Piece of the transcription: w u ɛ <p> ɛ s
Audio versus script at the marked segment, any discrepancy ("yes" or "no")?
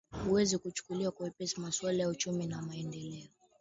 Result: no